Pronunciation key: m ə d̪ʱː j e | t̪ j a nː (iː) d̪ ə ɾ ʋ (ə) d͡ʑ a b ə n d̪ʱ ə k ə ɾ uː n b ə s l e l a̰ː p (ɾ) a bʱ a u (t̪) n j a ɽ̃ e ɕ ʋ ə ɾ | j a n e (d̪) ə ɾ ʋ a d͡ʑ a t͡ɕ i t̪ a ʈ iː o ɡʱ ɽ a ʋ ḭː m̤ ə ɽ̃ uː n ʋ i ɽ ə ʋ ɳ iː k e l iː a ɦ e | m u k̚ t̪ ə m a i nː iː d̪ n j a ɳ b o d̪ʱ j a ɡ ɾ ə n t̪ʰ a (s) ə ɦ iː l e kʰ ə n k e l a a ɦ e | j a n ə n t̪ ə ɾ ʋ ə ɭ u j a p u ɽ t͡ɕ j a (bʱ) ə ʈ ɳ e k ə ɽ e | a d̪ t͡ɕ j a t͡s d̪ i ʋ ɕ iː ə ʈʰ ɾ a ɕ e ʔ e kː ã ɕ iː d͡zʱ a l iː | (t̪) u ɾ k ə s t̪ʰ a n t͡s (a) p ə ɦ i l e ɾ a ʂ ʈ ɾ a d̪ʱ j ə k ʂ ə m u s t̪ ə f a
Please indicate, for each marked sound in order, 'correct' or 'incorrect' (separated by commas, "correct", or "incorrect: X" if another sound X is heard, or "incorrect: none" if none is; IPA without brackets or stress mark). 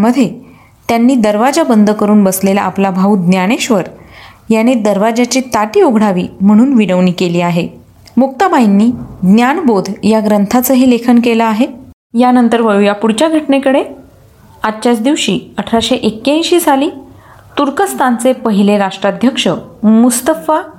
correct, incorrect: a, incorrect: l, incorrect: d̪, correct, incorrect: t͡s, incorrect: ɡʱ, correct, incorrect: e